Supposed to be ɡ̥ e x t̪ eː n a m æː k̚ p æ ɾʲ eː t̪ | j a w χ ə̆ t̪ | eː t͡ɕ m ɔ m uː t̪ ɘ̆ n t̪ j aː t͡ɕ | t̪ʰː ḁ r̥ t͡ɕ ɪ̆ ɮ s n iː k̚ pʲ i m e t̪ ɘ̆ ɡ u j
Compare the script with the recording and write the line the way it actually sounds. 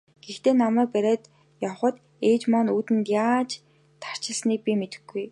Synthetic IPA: ɡ̥ e x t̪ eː n a m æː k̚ p æ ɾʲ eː t̪ | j a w χ ə̆ t̪ | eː t͡ɕ m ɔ n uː t̪ ɘ̆ n t̪ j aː t͡ɕ | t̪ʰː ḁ r̥ t͡ɕ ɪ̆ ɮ s n iː k̚ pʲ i m e t̪ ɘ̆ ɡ u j